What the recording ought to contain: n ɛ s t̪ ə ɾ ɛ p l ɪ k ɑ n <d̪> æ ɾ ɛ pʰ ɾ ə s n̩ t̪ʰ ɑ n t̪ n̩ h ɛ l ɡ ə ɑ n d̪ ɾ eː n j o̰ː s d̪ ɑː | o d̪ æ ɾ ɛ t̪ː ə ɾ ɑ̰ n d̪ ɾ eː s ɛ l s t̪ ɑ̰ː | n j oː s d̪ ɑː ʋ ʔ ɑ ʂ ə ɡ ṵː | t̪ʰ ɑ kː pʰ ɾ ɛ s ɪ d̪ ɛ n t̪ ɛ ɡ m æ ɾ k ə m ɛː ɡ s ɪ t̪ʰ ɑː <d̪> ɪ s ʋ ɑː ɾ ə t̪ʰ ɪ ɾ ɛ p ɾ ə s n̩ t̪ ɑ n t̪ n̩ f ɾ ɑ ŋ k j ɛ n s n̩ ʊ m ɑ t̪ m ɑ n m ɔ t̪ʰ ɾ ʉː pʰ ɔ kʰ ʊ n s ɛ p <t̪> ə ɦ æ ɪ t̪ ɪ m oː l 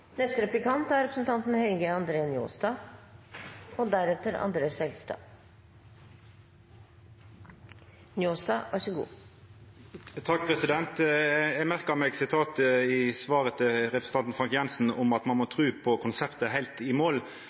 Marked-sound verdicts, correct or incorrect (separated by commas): incorrect, incorrect, correct